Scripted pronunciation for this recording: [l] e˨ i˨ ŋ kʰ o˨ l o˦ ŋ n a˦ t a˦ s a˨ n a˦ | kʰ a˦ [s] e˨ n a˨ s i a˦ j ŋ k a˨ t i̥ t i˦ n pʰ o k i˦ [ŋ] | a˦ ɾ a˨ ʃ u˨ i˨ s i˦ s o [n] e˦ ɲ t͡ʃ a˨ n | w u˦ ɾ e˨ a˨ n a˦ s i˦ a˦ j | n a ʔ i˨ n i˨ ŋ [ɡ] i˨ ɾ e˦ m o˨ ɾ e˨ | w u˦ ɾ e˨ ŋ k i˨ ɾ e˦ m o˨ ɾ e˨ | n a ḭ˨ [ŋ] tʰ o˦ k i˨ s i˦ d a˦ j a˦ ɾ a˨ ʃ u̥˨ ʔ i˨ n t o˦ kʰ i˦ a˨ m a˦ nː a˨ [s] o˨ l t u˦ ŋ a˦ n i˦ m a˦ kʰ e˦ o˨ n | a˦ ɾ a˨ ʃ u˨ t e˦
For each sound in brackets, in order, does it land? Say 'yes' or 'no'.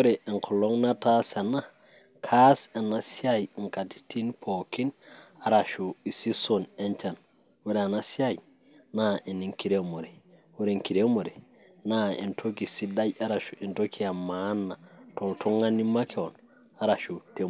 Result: no, yes, no, yes, no, no, no

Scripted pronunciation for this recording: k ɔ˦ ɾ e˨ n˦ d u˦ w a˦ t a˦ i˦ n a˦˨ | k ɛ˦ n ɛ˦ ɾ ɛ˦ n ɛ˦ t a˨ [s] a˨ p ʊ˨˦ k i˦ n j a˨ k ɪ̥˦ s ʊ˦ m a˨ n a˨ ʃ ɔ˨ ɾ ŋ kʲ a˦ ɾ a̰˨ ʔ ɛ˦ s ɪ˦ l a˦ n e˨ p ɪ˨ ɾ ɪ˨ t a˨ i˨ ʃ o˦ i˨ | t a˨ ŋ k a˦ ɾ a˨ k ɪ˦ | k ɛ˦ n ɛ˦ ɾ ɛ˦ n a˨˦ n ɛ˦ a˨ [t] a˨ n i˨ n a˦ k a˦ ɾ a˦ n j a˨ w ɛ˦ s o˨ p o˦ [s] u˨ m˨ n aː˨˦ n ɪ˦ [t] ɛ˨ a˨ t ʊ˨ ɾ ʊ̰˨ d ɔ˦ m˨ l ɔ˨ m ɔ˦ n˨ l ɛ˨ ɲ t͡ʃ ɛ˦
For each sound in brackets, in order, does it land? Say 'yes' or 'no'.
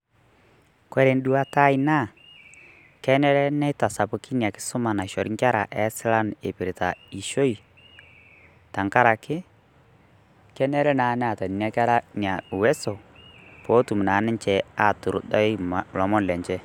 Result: yes, yes, no, no

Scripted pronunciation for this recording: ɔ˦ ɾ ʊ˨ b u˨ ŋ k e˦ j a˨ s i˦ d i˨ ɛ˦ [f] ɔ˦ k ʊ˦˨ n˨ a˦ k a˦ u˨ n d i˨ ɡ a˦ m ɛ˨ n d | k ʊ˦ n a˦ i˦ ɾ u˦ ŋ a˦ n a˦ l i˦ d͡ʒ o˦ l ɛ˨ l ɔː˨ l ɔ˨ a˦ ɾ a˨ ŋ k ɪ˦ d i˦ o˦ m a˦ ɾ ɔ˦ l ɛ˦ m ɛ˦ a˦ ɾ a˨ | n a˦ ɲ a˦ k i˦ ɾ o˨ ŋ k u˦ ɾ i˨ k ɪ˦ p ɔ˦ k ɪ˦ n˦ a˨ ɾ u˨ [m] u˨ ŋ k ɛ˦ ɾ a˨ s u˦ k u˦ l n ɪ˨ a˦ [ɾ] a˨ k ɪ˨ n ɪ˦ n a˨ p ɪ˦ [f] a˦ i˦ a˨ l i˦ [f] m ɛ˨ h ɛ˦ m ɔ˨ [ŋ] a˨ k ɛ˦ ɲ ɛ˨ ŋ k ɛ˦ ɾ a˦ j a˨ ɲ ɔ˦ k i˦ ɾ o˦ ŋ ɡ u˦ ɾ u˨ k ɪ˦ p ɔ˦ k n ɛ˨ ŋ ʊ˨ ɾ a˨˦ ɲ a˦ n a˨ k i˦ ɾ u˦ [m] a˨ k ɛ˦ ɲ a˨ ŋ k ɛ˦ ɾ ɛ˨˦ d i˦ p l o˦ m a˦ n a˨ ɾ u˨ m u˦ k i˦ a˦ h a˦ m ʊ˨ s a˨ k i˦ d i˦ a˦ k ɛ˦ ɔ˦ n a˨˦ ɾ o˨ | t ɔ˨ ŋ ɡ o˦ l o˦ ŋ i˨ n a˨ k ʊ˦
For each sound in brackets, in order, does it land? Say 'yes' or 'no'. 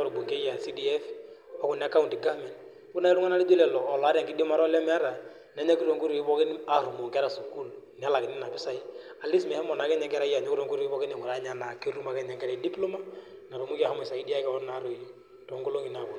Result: yes, yes, no, no, no, no, yes

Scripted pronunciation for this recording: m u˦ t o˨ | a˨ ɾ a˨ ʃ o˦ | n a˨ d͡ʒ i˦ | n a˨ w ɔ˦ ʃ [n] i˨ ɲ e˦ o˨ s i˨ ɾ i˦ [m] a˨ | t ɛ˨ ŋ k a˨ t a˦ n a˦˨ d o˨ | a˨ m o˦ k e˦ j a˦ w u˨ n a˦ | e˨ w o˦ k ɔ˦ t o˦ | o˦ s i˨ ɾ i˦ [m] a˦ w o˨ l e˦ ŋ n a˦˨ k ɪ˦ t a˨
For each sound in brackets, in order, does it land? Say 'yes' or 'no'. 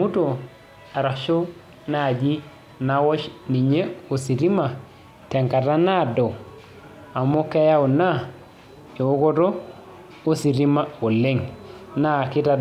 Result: yes, yes, yes

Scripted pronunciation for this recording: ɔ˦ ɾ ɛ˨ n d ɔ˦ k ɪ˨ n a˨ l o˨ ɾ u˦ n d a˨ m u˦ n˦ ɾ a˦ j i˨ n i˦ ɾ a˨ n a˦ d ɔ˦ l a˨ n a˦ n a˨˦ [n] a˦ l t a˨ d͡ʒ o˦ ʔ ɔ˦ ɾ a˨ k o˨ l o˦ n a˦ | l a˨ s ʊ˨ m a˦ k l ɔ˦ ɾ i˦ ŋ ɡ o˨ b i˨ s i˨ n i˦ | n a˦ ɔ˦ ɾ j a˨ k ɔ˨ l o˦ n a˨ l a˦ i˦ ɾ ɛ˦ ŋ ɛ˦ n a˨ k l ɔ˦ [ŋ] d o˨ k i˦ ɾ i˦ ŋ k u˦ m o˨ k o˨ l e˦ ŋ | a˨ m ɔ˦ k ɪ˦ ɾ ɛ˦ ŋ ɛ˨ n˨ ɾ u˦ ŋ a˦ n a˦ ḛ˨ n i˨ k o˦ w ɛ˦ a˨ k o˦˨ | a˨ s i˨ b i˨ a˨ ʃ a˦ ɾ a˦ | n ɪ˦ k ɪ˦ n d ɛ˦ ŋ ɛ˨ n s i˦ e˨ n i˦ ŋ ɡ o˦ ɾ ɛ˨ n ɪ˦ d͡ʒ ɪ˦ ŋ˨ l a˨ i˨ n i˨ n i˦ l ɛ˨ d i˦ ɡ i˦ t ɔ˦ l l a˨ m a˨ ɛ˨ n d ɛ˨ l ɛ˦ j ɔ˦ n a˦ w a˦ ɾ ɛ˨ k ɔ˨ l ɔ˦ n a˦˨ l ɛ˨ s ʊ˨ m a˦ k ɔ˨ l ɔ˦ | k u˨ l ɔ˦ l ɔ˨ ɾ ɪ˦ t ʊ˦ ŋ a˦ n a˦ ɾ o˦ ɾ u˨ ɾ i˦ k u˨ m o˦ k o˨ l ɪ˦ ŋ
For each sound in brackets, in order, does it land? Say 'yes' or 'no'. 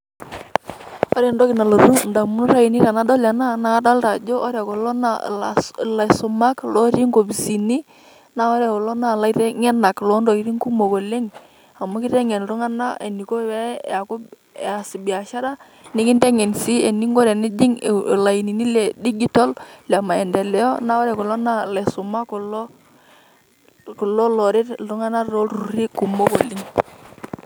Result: no, no

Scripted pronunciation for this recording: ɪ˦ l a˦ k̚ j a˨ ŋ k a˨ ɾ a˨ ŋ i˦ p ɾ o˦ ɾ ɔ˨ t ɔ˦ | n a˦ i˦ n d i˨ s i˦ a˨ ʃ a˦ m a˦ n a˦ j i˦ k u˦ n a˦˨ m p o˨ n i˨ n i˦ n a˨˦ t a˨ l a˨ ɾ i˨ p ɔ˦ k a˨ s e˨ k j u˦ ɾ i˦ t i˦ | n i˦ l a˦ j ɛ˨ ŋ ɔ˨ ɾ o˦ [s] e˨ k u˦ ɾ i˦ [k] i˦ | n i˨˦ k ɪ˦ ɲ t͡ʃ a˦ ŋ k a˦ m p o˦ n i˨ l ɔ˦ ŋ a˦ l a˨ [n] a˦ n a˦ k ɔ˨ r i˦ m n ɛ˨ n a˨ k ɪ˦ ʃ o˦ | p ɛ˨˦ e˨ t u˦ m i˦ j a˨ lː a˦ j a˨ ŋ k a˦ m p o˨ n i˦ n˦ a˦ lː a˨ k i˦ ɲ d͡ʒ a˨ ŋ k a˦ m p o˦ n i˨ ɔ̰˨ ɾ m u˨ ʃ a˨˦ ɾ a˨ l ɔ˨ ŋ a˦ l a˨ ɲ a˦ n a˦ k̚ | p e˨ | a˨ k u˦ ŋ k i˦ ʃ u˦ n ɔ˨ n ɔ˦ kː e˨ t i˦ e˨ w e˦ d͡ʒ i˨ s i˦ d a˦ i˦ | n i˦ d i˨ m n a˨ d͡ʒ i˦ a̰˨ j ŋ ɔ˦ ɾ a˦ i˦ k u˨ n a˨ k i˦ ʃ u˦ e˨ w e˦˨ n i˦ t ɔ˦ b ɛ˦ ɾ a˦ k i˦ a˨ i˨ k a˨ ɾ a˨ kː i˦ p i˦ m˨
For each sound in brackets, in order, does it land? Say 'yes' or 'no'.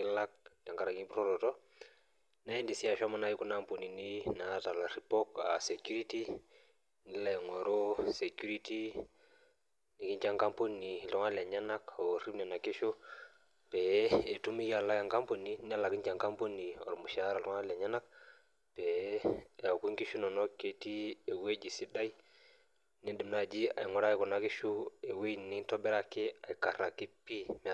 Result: yes, no, no

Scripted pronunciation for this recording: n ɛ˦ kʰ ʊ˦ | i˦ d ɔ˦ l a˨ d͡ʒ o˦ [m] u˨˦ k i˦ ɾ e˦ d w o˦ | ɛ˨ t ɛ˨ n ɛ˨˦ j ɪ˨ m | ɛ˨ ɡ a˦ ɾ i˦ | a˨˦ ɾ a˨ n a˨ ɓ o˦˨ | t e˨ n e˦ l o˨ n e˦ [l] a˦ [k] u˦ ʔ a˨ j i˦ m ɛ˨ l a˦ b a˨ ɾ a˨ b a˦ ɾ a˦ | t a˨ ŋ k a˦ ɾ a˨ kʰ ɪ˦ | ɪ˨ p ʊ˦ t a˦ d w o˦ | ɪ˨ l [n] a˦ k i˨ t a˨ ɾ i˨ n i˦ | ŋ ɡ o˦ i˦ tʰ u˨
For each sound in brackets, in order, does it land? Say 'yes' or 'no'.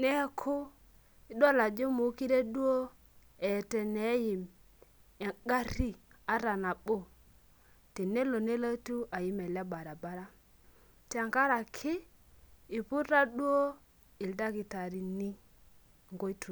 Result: yes, yes, no, no

